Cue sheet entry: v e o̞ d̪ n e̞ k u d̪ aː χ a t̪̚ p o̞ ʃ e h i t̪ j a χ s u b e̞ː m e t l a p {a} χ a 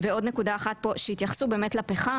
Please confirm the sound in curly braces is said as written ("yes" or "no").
no